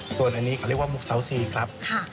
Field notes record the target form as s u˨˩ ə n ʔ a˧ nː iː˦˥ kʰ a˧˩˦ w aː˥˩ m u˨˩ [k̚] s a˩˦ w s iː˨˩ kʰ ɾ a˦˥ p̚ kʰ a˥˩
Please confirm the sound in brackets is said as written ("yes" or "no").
yes